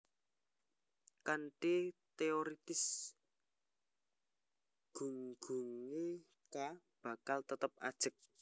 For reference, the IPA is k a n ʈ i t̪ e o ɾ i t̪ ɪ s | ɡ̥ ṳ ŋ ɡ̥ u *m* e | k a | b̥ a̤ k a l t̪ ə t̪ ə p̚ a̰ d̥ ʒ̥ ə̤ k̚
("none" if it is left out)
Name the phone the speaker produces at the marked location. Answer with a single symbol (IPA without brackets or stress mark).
ŋ